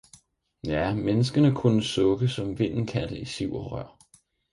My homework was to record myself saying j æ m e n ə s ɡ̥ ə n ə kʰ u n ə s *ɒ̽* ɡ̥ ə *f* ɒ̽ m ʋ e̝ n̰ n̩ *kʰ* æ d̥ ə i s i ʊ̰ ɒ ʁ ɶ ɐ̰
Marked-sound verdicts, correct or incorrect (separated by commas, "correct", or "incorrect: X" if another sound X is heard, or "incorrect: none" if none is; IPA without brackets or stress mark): incorrect: ɔ̽, incorrect: s, correct